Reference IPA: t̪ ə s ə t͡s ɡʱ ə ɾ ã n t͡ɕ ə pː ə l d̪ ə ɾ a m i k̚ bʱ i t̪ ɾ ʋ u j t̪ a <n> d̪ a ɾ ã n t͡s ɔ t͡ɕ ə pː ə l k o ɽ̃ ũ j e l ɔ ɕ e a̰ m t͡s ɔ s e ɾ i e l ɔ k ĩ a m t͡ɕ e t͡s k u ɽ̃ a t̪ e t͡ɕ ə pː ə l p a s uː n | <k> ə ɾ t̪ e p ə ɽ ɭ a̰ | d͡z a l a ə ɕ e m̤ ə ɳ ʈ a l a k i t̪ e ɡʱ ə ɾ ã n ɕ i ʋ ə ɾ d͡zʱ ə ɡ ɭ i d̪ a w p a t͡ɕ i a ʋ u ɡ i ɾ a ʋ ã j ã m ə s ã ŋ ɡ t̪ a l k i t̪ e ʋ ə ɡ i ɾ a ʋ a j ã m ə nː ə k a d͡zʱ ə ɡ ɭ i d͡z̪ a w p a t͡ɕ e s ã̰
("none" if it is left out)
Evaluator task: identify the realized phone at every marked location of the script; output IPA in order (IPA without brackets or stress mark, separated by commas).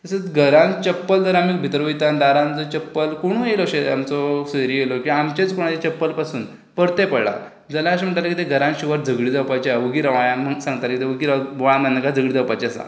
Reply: n, p